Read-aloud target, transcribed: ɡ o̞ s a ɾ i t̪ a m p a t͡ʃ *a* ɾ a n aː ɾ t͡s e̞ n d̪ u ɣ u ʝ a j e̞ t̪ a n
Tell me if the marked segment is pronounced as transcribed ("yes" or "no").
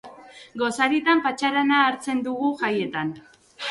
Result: yes